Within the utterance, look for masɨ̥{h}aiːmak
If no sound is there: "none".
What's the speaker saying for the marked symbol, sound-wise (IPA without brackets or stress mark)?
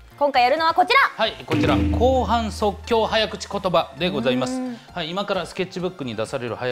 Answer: h